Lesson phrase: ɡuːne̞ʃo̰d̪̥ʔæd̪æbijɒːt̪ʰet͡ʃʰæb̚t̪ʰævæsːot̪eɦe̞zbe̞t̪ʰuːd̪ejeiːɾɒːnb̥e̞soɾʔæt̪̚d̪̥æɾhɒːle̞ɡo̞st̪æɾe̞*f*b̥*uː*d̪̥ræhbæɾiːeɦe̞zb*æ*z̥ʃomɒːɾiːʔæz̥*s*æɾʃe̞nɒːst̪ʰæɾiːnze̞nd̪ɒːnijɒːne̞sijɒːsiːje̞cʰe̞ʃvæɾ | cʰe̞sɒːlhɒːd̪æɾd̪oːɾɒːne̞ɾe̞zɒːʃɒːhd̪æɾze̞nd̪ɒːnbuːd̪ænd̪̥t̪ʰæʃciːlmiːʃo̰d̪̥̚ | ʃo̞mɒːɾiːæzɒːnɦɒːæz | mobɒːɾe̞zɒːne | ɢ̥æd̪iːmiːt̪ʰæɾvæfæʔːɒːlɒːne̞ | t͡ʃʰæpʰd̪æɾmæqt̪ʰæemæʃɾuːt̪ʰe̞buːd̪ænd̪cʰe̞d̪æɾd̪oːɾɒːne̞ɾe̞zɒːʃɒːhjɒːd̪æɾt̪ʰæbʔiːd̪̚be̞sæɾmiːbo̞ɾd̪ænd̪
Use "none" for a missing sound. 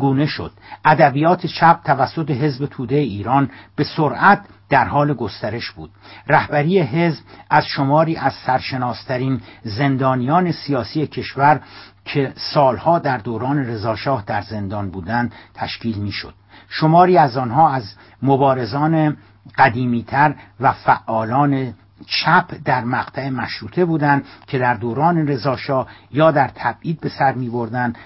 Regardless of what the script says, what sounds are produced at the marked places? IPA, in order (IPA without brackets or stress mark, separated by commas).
ʃ, uː, æ, s